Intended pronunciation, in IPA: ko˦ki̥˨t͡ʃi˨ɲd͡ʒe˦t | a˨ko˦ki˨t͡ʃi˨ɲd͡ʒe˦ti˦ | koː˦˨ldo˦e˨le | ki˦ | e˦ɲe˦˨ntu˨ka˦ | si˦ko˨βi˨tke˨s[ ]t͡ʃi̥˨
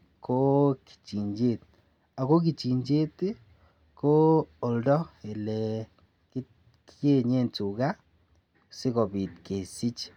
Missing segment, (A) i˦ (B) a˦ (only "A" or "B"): A